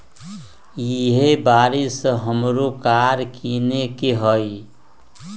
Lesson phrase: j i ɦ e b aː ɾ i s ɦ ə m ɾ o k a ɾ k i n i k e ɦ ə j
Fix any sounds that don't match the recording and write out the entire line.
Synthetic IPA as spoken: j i ɦ e b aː ɾ i s ɦ ə m ɾ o k a ɾ k i n e k e ɦ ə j